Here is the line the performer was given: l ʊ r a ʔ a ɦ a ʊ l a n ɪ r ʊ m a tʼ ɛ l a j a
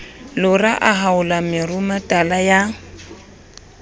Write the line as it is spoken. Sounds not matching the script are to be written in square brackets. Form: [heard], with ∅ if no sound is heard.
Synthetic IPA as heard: l ʊ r a ʔ a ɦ a ʊ l a [m] ɪ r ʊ m a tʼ [a] l a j a